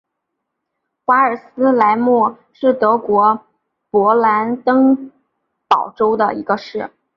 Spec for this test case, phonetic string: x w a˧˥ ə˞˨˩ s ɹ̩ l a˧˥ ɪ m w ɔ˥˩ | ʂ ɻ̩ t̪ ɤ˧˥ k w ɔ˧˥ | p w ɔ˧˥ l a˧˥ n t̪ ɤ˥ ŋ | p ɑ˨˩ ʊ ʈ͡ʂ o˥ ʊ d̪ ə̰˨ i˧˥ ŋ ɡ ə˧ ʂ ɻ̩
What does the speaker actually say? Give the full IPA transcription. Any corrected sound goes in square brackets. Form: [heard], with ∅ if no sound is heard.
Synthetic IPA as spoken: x w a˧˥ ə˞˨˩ s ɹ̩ l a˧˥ ɪ m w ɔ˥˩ | ʂ ɻ̩ t̪ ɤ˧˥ k w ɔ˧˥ | p w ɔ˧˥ l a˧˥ n t̪ ɤ˥ ŋ | p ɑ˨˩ ʊ ʈ͡ʂ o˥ ʊ d̪ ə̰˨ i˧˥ [∅] ɡ ə˧ ʂ ɻ̩